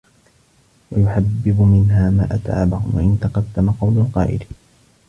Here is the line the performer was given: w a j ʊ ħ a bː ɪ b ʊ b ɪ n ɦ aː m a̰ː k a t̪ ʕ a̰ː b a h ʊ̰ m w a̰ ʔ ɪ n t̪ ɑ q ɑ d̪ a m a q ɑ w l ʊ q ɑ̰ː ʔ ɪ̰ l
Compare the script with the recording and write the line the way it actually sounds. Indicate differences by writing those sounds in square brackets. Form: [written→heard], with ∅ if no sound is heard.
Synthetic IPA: w a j ʊ ħ a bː ɪ b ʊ [b→m] ɪ n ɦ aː m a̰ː [k→ʔ] a t̪ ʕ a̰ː b a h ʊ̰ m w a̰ ʔ ɪ n t̪ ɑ q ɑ [d̪→d̪ː] a m a q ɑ w l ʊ q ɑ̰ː ʔ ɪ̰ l